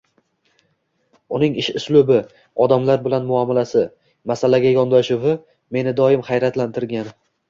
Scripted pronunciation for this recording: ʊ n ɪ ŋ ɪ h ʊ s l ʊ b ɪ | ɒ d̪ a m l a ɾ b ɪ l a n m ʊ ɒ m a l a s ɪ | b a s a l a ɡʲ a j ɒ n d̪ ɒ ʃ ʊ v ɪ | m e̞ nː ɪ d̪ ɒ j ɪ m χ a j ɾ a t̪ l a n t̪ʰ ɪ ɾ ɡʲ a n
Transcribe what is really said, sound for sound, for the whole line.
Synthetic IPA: ʊ n ɪ ŋ ɪ ʃ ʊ s l ʊ b ɪ | ɒ d̪ a m l a ɾ b ɪ l a n m ʊ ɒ m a l a s ɪ | m a s a l a ɡʲ a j ɒ n d̪ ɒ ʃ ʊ v ɪ | m e̞ n ɪ d̪ ɒ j ɪ m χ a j ɾ a t̪ l a n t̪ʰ ɪ ɾ ɡʲ a n